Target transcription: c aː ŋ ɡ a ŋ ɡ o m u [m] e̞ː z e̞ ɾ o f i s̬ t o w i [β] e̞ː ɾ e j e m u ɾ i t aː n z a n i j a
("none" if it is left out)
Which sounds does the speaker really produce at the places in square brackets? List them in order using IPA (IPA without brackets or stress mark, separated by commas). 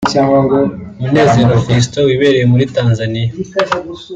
n, β